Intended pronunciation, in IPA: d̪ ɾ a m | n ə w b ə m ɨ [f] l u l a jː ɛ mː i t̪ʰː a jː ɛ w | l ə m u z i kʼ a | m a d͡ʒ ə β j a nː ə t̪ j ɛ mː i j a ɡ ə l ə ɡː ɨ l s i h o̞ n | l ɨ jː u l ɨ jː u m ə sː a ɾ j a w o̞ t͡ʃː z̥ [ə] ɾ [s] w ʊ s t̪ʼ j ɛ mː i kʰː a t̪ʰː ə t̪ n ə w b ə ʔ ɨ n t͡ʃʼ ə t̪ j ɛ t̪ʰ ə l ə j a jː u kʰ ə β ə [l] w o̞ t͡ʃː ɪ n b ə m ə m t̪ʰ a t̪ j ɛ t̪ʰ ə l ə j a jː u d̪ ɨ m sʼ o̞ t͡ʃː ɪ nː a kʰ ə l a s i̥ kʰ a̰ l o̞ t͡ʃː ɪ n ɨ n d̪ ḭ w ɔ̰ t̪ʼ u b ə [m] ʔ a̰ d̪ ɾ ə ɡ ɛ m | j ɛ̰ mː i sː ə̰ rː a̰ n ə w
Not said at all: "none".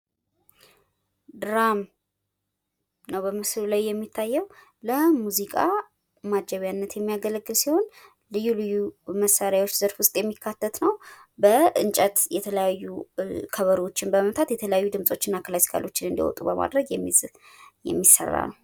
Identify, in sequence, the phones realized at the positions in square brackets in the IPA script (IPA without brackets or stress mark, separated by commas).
s, ə, f, ɾ, m